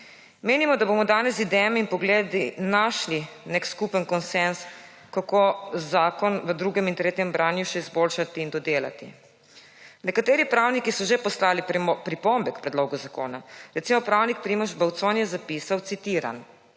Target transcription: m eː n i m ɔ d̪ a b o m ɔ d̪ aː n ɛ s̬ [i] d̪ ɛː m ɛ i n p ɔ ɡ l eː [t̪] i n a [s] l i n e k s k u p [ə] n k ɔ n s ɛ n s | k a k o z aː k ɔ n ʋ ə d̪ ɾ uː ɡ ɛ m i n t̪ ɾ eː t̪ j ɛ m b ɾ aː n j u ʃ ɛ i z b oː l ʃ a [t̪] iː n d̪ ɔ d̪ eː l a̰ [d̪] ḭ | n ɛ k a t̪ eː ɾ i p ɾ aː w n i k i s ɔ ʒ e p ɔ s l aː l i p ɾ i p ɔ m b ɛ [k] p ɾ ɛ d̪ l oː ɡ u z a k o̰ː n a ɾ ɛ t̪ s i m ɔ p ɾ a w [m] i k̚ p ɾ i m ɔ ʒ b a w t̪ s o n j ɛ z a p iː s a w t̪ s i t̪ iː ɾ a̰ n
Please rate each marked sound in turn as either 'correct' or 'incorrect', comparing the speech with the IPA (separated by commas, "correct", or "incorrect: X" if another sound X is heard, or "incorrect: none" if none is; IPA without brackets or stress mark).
correct, incorrect: d̪, incorrect: ʃ, correct, correct, incorrect: t̪, correct, incorrect: n